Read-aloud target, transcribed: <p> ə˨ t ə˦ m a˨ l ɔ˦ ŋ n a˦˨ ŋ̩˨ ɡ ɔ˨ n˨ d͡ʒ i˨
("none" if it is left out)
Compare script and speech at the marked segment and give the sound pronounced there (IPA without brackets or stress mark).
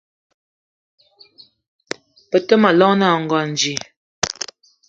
p